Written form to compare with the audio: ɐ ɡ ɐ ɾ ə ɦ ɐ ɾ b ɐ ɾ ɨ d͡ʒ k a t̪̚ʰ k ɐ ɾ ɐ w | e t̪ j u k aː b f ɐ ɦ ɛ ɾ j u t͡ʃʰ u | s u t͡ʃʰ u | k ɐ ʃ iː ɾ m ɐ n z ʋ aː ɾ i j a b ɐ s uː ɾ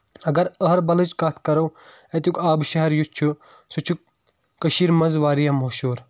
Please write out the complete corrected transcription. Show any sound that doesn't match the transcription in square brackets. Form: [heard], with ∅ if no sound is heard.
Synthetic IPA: ɐ ɡ ɐ ɾ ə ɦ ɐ ɾ b ɐ [l] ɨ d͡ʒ k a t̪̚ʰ k ɐ ɾ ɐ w | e t̪ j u k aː b [ʃ] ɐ ɦ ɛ ɾ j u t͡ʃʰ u | s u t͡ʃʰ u | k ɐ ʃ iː ɾ m ɐ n z ʋ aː ɾ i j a [m] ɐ [ʃ] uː ɾ